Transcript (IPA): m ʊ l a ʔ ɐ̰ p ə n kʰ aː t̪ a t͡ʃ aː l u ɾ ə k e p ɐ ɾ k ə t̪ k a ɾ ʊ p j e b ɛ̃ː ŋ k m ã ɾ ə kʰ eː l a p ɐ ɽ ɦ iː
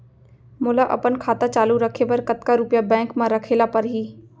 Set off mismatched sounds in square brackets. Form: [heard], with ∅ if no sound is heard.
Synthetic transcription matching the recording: m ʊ l a ʔ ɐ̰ p ə n kʰ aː t̪ a t͡ʃ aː l u ɾ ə [kʰ] e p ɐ ɾ k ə t̪ k a ɾ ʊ p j [a] b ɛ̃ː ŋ k m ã ɾ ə kʰ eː l a p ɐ [ɾ] ɦ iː